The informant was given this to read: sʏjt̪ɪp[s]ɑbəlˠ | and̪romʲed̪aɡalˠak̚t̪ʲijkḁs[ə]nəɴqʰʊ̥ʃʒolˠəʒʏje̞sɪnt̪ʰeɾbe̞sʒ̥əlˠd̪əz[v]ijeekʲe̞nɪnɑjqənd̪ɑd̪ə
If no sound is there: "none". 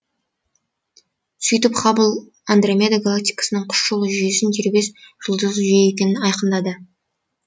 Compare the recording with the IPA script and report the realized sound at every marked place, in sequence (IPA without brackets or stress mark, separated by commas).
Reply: χ, ə, ʒ